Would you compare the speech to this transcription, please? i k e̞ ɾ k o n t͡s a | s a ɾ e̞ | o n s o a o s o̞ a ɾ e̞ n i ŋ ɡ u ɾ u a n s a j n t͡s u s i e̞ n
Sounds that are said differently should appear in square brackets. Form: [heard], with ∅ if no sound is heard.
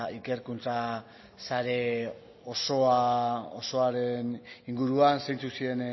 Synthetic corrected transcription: i k e̞ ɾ k [u] n t͡s a | s a ɾ e̞ | o [∅] s o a o s o̞ a ɾ e̞ n i ŋ ɡ u ɾ u a n s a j n t͡s u s i e̞ n